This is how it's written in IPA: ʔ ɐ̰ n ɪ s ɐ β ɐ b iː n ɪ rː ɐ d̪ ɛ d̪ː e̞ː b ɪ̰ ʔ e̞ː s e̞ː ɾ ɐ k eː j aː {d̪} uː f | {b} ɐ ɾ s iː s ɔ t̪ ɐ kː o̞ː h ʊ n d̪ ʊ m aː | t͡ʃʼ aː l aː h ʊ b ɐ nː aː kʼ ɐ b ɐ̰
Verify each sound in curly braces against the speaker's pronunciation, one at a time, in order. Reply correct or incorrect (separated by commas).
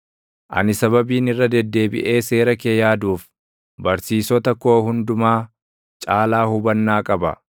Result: correct, correct